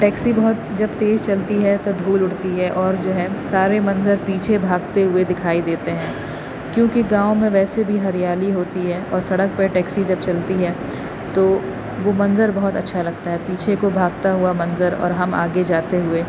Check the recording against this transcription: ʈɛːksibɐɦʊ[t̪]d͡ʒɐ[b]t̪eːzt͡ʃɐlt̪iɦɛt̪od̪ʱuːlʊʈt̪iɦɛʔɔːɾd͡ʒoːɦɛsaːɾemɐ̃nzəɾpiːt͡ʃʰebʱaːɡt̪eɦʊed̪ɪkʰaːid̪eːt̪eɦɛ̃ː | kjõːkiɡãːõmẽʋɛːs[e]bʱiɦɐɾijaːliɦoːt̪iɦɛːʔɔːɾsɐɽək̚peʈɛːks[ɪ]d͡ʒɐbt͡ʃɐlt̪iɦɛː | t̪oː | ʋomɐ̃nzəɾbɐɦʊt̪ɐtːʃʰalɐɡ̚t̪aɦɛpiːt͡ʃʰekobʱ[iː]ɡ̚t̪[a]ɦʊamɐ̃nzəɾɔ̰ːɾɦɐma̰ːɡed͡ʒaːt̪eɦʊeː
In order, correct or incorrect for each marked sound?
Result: correct, correct, correct, incorrect, incorrect, correct

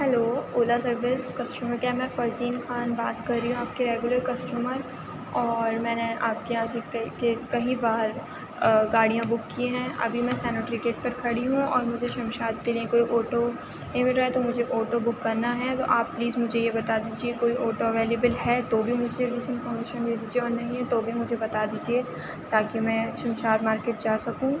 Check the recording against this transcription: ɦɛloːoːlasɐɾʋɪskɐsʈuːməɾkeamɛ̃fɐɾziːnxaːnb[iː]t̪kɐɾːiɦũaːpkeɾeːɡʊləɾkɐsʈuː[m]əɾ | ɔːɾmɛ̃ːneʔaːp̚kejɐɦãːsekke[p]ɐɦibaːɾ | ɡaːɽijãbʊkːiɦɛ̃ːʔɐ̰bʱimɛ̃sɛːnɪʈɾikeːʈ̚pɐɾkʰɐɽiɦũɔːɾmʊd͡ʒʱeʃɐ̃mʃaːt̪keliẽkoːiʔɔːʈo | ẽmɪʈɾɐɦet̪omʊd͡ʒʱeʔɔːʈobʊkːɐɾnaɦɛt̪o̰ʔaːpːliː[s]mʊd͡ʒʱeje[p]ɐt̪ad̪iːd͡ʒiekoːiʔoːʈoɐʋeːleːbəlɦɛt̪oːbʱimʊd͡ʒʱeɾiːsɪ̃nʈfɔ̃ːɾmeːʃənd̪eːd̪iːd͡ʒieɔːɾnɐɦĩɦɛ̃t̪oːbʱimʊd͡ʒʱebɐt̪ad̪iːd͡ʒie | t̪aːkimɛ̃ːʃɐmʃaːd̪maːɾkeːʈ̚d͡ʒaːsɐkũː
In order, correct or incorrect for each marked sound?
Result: incorrect, correct, incorrect, incorrect, incorrect

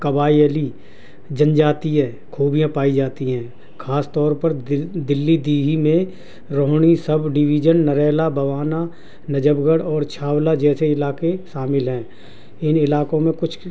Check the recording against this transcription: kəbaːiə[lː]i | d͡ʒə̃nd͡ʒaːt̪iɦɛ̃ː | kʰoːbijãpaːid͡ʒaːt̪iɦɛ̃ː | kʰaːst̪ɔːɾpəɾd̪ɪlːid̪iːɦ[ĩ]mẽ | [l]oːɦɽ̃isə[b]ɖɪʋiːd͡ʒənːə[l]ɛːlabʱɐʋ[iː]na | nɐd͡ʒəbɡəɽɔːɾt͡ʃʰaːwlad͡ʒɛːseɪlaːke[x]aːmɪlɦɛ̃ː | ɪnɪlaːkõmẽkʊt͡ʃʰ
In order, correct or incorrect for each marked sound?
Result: incorrect, incorrect, incorrect, correct, incorrect, incorrect, incorrect

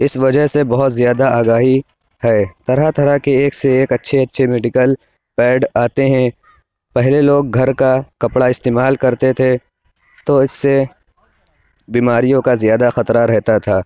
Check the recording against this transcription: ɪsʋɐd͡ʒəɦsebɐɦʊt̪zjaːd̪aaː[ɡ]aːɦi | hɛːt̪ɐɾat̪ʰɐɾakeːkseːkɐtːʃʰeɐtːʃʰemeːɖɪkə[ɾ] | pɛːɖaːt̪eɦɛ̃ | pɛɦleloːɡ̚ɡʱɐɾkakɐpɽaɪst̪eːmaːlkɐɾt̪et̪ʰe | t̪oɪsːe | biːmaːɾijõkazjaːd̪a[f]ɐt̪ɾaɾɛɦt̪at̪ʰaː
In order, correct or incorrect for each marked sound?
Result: correct, incorrect, incorrect

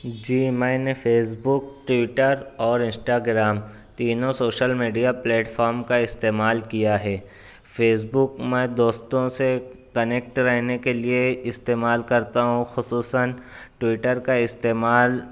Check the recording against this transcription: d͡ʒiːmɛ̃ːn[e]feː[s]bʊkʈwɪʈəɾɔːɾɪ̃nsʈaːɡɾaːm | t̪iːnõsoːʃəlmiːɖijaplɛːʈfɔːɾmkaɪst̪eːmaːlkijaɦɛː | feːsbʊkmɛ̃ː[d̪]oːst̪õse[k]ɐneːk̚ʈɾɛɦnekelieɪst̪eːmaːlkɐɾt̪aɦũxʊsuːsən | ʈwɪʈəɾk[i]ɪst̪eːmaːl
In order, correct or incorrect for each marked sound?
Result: correct, correct, correct, correct, incorrect

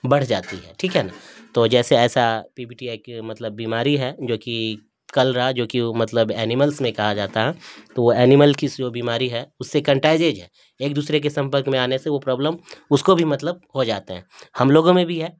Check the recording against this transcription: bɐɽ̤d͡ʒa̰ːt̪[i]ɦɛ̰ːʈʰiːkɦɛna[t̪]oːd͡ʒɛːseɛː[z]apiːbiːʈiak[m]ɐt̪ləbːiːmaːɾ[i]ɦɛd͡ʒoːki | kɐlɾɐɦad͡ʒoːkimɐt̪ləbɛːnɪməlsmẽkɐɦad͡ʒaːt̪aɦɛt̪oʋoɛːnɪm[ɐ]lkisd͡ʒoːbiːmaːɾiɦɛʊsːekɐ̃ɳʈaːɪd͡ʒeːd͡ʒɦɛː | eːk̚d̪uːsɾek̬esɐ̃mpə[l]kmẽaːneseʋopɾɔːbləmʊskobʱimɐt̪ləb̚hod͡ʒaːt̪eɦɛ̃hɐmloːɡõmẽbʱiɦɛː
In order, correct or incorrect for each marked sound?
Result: correct, correct, incorrect, correct, correct, incorrect, incorrect

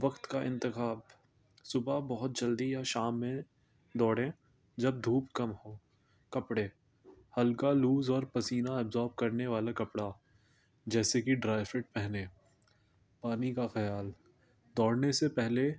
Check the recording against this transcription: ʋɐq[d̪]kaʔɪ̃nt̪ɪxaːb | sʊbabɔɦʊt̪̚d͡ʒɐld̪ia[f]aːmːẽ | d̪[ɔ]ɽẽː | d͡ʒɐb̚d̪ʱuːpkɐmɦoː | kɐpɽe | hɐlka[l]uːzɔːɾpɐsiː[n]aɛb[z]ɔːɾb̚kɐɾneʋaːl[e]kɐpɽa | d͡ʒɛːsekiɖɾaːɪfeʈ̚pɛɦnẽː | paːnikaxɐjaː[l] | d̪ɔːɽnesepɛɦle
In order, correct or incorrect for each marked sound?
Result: incorrect, incorrect, incorrect, correct, correct, correct, incorrect, correct

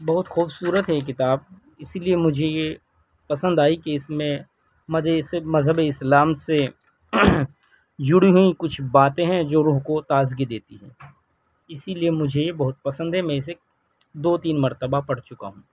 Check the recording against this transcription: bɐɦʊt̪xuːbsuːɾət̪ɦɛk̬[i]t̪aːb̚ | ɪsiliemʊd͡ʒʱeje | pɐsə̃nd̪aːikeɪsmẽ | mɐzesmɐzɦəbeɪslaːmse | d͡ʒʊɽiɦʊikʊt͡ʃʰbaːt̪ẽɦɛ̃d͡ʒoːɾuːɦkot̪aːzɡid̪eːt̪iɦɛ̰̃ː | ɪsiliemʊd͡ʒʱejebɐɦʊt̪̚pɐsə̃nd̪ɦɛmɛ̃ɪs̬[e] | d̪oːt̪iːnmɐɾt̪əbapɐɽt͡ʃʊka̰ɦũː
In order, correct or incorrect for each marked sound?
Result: incorrect, correct

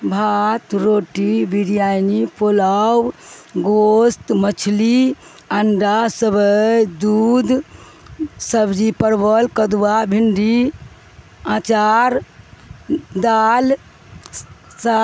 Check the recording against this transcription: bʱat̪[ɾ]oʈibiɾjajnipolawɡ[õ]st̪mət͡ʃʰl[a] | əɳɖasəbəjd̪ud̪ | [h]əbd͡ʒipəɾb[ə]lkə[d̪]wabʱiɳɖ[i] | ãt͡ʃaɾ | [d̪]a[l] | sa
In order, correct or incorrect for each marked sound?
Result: correct, incorrect, incorrect, incorrect, correct, correct, correct, correct, correct

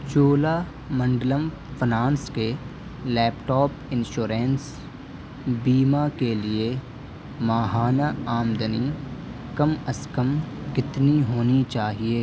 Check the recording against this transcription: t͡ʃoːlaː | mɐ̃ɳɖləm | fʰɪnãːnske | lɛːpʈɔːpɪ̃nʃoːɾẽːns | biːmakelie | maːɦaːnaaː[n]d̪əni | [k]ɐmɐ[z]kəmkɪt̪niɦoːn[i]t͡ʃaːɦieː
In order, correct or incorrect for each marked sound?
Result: incorrect, correct, incorrect, correct

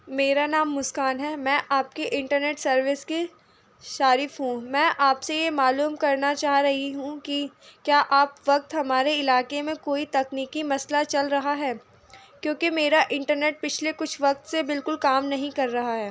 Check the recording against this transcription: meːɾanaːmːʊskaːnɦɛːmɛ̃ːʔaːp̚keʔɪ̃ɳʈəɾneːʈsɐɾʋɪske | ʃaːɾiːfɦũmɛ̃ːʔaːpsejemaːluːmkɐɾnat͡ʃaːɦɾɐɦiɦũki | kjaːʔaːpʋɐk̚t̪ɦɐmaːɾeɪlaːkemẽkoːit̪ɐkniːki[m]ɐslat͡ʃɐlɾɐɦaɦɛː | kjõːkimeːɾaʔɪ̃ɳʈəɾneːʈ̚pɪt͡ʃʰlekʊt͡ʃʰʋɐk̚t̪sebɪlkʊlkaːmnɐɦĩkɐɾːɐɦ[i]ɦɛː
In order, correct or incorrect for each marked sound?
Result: correct, incorrect

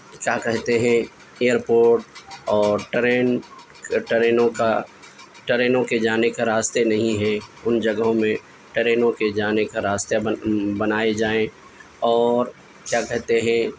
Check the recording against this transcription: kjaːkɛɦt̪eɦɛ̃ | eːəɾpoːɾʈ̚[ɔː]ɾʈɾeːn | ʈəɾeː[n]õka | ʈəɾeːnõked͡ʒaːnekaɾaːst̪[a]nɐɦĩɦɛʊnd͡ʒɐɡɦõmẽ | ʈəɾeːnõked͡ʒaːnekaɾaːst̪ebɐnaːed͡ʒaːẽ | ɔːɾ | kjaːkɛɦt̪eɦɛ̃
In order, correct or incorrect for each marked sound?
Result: correct, correct, incorrect

